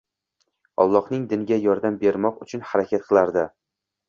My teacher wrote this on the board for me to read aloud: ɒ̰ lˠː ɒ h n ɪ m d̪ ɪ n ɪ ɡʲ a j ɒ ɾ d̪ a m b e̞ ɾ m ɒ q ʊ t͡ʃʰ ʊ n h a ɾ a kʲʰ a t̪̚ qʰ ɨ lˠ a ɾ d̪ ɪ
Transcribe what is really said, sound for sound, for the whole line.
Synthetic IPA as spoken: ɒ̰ lˠː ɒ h n ɪ ŋ d̪ ɪ n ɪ ɡʲ a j ɒ ɾ d̪ a m b e̞ ɾ m ɒ q ʊ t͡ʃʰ ʊ n h a ɾ a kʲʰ a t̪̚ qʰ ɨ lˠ a ɾ d̪ ɪ